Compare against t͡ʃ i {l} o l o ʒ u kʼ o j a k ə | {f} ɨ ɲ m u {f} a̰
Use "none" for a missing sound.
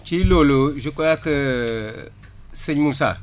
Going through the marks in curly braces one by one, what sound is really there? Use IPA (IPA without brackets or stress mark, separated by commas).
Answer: l, s, s